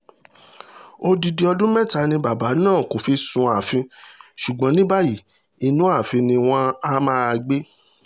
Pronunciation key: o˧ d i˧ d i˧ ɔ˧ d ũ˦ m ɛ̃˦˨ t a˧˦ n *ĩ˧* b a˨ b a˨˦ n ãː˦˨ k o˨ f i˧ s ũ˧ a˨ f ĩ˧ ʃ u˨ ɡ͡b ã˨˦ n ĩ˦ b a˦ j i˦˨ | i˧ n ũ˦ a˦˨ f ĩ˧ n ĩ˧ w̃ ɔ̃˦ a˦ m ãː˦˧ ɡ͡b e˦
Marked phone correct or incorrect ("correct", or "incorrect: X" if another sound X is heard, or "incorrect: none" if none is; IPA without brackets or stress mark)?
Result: correct